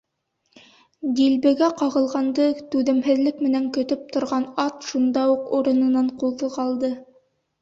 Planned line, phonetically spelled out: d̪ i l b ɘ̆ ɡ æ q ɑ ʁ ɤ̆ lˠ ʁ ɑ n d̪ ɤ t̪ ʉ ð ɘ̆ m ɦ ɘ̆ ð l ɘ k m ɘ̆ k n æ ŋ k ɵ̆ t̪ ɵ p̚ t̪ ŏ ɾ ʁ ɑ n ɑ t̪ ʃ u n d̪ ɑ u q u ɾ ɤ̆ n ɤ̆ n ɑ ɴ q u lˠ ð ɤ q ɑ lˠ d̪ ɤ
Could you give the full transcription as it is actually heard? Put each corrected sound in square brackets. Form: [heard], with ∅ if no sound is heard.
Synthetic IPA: d̪ i l b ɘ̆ ɡ æ q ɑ ʁ ɤ̆ lˠ ʁ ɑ n d̪ ɤ t̪ ʉ ð ɘ̆ m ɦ ɘ̆ ð l ɘ k m ɘ̆ [∅] n æ ŋ k ɵ̆ t̪ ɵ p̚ t̪ ŏ ɾ ʁ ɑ n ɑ t̪ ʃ u n d̪ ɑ u q u ɾ ɤ̆ n ɤ̆ n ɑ ɴ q u lˠ ð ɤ q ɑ lˠ d̪ ɤ